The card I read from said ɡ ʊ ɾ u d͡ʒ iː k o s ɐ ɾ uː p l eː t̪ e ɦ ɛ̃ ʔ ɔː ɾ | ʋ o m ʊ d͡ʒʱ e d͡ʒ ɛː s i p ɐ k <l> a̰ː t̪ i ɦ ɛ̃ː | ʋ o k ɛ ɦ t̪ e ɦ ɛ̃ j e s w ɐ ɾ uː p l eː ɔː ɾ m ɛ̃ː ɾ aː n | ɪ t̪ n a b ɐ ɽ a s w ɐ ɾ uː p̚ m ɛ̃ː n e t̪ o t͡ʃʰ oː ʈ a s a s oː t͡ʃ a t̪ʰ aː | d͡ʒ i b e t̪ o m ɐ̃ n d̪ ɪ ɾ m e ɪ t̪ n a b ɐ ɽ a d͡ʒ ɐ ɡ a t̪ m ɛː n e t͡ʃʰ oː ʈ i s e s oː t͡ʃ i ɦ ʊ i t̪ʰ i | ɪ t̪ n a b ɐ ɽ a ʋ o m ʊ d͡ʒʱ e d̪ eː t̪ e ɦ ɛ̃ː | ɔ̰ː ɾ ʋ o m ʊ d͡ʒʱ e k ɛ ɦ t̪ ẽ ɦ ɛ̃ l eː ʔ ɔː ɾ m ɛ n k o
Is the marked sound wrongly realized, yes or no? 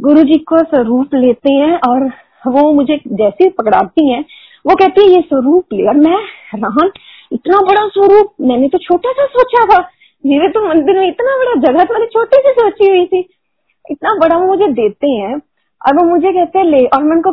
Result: yes